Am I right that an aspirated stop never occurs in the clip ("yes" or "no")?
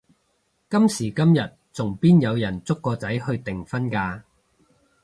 yes